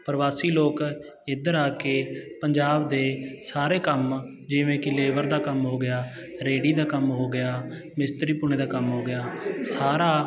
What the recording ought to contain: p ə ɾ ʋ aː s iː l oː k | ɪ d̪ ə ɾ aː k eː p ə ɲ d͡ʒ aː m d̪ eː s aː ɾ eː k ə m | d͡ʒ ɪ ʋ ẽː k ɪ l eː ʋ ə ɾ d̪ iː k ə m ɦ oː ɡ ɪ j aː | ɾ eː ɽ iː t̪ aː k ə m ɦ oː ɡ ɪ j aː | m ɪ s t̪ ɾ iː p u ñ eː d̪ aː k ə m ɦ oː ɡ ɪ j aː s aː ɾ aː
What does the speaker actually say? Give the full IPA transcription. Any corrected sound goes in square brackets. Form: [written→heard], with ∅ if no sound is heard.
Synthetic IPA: p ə ɾ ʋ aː s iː l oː k | ɪ d̪ ə ɾ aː k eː p ə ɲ d͡ʒ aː [m→b] d̪ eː s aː ɾ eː k ə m | d͡ʒ ɪ ʋ ẽː k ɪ l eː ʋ ə ɾ d̪ [iː→aː] k ə m ɦ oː ɡ ɪ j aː | ɾ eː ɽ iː [t̪→d̪] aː k ə m ɦ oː ɡ ɪ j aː | m ɪ s t̪ ɾ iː p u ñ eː d̪ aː k ə m ɦ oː ɡ ɪ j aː s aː ɾ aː